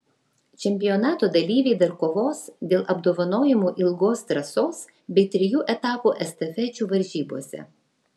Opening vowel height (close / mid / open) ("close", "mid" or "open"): mid